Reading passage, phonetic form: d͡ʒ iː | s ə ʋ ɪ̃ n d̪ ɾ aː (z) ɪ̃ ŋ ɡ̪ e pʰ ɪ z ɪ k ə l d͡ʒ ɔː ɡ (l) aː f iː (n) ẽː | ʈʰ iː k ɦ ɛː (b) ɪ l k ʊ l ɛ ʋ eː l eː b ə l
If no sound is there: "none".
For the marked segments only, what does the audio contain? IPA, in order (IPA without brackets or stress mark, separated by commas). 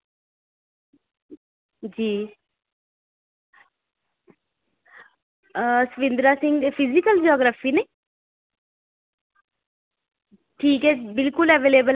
s, ɾ, n, b